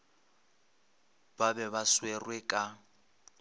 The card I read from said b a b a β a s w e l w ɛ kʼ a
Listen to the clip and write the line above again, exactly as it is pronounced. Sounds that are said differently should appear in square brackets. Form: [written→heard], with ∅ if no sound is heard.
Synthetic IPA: b a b [a→ɛ] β a s w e [l→r] w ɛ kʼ a